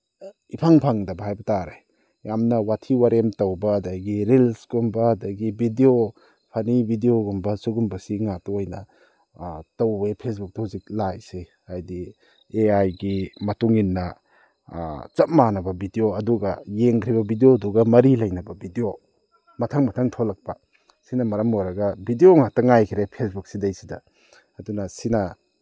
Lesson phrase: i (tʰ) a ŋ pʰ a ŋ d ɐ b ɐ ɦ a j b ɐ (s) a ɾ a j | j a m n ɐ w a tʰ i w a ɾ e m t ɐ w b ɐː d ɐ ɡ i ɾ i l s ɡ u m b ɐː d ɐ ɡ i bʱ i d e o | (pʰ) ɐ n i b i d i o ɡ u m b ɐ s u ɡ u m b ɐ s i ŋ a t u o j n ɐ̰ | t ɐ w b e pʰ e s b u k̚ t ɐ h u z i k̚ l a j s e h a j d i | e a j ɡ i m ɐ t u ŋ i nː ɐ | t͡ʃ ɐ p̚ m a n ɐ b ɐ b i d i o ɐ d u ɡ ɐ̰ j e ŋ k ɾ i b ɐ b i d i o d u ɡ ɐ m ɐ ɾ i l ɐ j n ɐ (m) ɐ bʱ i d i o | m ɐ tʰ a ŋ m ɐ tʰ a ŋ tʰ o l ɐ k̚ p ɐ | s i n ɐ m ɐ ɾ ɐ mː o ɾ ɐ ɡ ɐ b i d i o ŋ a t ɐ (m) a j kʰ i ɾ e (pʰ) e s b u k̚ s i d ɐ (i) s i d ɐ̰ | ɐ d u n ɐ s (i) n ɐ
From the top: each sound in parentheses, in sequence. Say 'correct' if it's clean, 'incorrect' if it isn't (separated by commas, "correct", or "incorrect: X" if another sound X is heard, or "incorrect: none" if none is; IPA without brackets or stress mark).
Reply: incorrect: pʰ, incorrect: t, correct, incorrect: b, incorrect: ŋ, correct, incorrect: j, correct